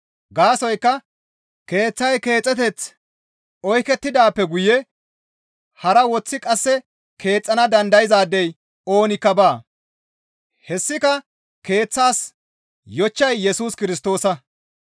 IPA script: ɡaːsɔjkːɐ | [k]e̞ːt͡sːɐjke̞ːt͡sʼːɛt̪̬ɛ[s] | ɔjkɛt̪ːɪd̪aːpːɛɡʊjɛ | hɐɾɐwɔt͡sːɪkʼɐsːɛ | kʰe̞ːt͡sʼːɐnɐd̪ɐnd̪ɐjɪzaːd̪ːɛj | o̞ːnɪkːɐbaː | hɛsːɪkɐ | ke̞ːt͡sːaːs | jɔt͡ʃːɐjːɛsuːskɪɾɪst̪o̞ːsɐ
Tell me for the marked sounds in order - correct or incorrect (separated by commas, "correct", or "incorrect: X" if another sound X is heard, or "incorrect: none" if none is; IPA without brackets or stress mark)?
correct, incorrect: t͡s